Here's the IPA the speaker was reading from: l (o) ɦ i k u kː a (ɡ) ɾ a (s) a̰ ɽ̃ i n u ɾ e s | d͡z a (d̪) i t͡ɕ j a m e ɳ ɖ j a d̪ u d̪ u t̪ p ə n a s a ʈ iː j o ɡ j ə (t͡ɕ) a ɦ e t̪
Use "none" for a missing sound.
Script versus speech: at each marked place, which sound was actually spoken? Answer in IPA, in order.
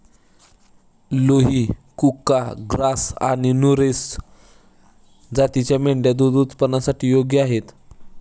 o, ɡ, s, t̪, none

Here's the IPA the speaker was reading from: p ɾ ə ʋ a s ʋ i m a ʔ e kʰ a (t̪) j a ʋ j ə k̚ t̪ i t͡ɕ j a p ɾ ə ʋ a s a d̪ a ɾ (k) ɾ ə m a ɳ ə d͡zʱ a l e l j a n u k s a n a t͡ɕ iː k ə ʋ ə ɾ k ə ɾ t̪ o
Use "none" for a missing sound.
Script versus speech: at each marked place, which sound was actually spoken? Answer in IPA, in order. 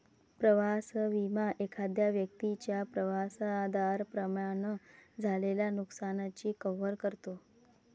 d̪, p

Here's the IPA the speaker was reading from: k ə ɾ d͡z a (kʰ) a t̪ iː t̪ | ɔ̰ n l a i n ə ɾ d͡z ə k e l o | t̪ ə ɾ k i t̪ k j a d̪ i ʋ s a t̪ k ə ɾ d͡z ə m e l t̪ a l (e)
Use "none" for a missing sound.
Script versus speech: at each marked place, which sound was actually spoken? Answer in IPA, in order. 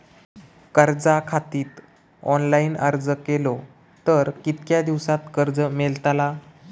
kʰ, a

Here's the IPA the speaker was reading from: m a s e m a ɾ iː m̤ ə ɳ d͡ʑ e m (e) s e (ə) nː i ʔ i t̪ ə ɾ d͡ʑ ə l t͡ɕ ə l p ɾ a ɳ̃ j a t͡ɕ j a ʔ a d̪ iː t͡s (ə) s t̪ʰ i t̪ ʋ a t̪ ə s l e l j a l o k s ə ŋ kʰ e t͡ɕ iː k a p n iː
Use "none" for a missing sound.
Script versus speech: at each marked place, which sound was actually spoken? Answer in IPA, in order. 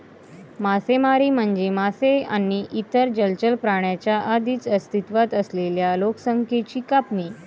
a, a, ə

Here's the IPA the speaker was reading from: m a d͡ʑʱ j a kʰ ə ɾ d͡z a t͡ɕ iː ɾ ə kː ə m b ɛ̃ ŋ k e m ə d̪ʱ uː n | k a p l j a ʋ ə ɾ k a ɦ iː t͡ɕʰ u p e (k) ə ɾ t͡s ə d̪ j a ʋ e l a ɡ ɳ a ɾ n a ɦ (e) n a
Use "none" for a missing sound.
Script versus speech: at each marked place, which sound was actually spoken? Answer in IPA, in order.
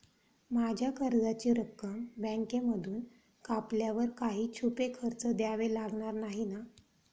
kʰ, i

